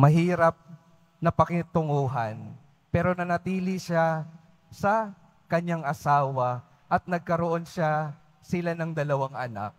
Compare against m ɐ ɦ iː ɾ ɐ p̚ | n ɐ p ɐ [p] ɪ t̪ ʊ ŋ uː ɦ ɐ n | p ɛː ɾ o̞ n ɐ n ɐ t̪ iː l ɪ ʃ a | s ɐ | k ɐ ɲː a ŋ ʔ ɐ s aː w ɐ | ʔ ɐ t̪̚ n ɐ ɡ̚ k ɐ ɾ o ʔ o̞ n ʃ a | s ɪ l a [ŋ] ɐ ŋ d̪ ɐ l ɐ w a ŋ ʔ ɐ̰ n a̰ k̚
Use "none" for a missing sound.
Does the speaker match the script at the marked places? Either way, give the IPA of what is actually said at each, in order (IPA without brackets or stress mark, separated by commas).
k, n